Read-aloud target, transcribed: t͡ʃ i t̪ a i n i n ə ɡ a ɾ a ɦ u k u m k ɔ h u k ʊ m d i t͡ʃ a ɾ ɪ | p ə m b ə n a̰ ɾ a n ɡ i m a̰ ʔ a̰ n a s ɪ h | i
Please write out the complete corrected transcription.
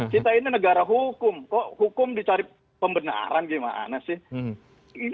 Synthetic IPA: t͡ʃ i t̪ a i n i n ə ɡ a ɾ a ɦ u k ʊ m k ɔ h u k ʊ m d i t͡ʃ a ɾ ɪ | p ə m b ə n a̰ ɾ a n ɡ i m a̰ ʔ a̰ n a s ɪ h | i